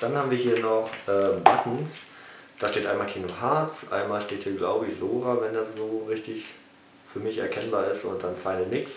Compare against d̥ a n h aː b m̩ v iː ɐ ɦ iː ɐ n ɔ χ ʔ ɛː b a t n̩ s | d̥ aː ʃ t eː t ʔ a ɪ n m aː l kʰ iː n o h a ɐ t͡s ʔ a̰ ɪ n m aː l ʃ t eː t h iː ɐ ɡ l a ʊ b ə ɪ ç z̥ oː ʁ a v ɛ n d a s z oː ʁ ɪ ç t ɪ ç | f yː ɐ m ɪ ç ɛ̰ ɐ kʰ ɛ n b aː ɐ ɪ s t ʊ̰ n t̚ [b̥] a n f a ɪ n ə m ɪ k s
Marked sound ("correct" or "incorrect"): incorrect